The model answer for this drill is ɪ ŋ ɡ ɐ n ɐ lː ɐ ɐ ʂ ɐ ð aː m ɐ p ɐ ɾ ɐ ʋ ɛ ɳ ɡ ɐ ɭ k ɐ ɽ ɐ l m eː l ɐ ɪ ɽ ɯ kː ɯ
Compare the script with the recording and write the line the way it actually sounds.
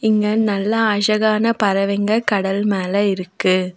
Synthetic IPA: ɪ ŋ ɡ ɐ n ɐ lː ɐ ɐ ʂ ɐ ɣ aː n ɐ p ɐ ɾ ɐ ʋ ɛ ŋ ɡ ɐ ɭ k ɐ ɽ ɐ l m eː l ɐ ɪ ɾ ɯ kː ɯ